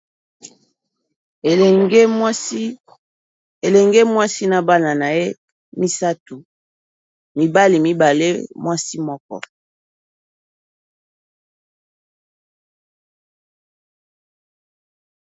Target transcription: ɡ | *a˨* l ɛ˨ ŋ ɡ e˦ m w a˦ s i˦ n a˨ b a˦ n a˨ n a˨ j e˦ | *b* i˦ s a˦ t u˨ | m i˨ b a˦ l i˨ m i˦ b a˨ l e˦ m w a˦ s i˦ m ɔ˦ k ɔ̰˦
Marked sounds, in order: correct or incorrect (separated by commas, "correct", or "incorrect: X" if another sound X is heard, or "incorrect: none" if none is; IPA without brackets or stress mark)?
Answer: incorrect: e˨, incorrect: m